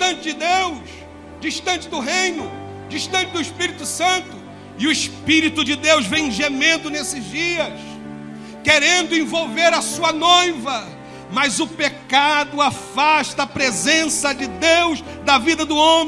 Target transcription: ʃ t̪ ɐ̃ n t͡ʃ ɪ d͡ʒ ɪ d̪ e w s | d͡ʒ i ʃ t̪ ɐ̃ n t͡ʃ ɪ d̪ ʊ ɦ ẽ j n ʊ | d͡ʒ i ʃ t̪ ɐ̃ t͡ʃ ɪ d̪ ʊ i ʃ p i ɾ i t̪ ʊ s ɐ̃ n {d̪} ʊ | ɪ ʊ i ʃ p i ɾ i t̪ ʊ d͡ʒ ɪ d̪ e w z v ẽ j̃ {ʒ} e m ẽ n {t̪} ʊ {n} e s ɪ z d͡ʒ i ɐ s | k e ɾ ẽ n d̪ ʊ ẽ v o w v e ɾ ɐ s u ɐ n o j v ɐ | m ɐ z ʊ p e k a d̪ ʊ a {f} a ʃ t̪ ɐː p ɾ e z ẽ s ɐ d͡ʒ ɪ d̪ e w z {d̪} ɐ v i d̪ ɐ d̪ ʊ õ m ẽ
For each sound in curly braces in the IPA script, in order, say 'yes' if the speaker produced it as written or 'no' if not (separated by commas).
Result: no, yes, no, yes, yes, yes